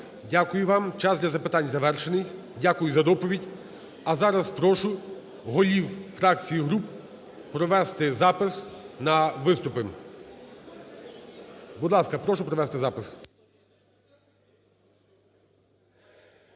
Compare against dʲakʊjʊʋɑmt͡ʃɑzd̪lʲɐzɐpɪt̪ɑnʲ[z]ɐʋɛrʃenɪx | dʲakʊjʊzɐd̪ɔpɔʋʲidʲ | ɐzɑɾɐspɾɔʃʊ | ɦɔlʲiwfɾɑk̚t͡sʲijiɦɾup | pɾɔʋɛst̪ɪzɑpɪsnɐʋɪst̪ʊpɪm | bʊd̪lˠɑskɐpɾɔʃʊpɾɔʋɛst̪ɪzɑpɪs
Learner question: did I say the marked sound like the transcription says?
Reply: yes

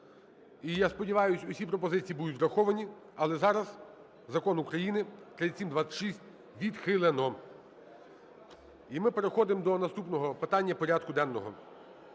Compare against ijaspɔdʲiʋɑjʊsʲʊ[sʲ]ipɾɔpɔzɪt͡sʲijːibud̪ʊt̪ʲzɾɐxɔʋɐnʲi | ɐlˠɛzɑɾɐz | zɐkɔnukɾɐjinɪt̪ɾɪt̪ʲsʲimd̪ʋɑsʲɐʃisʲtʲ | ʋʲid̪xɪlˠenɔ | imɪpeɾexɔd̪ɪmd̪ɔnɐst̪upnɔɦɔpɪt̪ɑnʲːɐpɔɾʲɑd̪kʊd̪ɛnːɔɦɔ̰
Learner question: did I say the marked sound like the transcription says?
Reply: yes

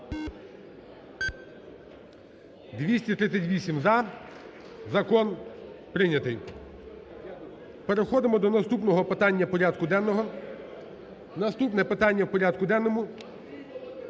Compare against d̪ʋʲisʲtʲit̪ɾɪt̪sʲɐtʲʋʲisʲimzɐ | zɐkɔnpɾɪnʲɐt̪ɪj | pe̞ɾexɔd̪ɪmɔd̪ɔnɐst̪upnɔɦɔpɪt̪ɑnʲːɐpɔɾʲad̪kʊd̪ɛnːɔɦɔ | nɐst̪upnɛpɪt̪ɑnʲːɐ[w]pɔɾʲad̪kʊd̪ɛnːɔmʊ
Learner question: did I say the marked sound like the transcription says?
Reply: yes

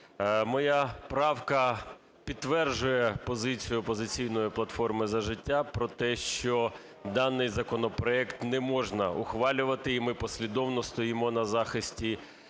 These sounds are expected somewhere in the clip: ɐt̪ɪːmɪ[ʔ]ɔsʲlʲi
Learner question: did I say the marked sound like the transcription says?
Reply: no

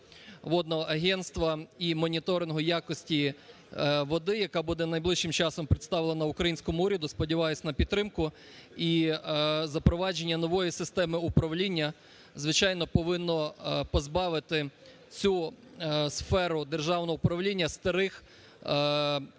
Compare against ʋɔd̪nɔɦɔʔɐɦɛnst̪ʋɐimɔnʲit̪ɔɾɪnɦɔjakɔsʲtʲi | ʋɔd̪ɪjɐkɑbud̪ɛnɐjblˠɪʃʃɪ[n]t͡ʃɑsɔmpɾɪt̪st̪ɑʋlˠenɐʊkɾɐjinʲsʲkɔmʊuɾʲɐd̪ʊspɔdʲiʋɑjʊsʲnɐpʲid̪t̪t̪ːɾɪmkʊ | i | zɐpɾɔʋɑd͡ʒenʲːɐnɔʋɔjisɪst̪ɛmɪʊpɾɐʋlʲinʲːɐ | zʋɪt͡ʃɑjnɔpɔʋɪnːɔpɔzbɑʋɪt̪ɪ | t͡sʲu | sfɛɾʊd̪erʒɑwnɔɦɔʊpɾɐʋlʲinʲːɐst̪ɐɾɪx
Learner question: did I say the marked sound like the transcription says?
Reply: no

